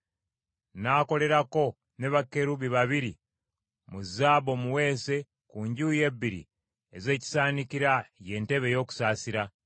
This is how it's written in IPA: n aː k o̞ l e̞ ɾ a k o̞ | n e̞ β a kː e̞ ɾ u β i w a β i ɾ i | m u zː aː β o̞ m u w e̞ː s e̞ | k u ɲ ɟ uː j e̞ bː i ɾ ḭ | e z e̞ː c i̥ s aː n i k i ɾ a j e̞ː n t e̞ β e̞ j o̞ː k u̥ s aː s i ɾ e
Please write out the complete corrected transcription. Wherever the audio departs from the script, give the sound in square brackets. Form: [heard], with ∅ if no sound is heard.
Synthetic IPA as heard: n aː k o̞ l e̞ ɾ a k o̞ | n e̞ β a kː e̞ ɾ u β i [β] a β i ɾ i | m u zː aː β o̞ m u w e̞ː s e̞ | k u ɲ ɟ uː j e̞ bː i ɾ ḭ | e z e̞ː c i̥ s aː n i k i ɾ a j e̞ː n t e̞ β e̞ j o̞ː k u̥ s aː s i ɾ [a]